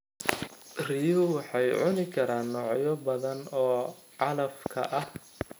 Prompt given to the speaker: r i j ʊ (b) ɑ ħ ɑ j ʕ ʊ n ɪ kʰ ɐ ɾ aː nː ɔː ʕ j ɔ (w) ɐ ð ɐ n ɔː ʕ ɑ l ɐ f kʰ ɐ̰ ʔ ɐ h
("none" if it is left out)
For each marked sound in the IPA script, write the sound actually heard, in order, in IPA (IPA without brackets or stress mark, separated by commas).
w, b